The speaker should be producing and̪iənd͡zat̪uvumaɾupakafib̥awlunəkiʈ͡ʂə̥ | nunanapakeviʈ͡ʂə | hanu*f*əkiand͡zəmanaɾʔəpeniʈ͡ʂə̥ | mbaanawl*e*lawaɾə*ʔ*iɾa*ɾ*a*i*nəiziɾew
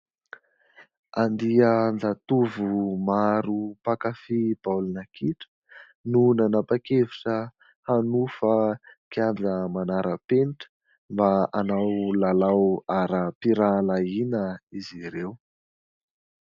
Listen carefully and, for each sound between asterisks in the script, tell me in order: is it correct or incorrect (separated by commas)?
correct, incorrect, incorrect, incorrect, correct